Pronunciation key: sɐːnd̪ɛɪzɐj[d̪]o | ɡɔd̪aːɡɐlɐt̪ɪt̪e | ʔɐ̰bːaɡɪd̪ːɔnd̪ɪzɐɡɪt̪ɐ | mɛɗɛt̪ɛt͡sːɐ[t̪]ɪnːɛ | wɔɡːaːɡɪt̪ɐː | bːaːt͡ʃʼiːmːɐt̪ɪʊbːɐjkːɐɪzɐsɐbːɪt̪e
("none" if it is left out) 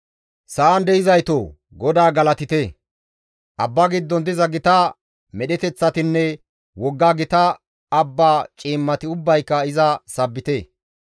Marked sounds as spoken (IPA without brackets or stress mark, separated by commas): t̪, t̪